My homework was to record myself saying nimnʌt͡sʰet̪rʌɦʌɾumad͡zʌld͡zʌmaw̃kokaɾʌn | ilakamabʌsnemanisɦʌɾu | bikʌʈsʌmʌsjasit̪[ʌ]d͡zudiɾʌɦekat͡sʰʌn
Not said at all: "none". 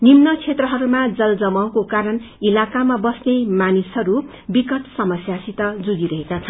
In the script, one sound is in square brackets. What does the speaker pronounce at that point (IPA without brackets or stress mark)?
ʌ